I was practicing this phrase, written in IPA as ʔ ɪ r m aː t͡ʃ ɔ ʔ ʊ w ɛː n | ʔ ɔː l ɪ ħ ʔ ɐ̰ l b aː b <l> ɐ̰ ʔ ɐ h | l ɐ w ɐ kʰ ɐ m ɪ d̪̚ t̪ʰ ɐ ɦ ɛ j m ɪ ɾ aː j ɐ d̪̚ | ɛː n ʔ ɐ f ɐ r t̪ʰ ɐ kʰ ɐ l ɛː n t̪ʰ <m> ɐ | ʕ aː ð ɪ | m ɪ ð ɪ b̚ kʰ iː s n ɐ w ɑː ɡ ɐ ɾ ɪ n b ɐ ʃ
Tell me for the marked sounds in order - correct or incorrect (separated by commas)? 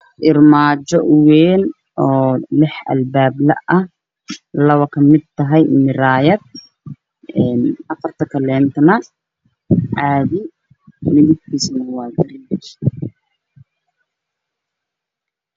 correct, incorrect